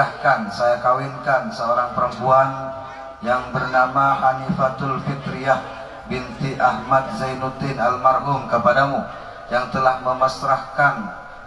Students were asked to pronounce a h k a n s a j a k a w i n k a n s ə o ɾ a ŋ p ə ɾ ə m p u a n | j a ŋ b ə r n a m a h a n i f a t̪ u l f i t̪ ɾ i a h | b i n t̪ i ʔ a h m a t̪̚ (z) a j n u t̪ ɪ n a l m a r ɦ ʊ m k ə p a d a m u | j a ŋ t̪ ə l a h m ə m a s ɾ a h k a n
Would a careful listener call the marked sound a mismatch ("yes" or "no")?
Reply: no